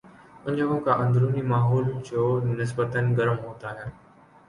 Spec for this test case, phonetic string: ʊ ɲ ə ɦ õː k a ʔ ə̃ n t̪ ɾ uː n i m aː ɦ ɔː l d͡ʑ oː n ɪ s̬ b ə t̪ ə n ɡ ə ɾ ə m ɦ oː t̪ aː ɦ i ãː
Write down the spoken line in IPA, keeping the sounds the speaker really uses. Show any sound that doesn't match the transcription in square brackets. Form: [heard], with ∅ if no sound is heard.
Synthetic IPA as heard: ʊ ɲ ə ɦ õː k a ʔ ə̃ n [d̪] ɾ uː n i m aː ɦ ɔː l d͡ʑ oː n ɪ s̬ b ə t̪ ə n ɡ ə ɾ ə m ɦ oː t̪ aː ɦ [j] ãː